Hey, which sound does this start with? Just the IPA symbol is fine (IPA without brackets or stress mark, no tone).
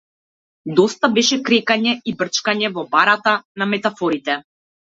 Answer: d̪